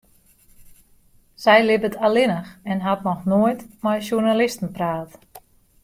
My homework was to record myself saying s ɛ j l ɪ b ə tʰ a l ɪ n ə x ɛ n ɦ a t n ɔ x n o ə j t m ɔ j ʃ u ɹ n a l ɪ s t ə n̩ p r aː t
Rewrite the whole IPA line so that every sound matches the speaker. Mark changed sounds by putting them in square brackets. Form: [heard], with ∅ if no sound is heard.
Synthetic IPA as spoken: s ɛ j l ɪ b ə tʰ a l ɪ n ə x ɛ n ɦ a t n ɔ x n o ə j t m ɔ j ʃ u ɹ n a l ɪ s t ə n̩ p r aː t